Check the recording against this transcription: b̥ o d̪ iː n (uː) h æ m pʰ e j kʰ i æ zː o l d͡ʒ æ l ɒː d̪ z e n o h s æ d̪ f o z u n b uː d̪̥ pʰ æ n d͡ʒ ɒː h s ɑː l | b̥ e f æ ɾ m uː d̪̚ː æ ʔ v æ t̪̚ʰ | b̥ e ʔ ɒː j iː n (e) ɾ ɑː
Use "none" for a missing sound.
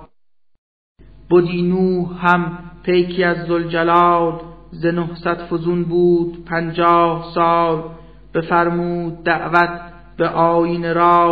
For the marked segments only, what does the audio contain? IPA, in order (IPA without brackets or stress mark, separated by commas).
uː, e